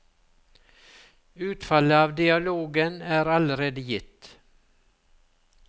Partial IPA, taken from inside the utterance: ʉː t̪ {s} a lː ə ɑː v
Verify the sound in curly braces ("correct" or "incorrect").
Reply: incorrect